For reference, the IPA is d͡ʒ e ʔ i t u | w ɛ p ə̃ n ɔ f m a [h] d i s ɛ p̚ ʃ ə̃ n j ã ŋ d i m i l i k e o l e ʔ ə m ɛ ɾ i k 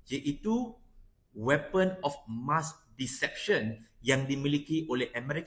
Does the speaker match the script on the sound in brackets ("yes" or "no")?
no